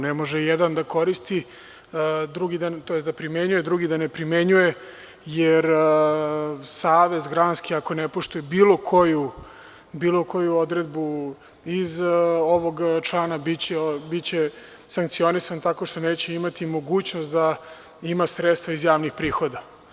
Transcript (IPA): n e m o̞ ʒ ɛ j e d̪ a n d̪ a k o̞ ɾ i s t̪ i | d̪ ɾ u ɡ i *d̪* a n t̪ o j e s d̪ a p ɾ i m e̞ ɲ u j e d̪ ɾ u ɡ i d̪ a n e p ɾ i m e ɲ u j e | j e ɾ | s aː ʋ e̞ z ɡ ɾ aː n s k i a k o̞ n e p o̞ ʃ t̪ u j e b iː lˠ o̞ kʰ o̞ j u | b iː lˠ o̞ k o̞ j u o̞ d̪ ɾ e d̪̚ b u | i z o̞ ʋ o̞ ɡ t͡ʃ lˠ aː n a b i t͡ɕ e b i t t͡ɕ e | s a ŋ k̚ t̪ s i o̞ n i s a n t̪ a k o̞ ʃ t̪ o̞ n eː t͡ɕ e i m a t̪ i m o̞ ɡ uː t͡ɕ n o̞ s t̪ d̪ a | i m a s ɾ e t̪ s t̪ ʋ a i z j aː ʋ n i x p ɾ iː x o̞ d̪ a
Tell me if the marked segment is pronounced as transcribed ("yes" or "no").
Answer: yes